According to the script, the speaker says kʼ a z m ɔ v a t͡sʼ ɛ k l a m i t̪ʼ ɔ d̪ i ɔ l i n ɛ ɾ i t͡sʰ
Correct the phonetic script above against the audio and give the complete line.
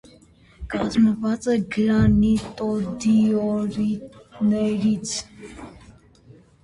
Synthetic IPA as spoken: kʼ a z m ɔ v a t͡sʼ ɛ ɡ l a n i t̪ʼ ɔ d̪ i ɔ ɾ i n ɛ ɾ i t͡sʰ